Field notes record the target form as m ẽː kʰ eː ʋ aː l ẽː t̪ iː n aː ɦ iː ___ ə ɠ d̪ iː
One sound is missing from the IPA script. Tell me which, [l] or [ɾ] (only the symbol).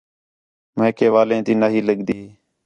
l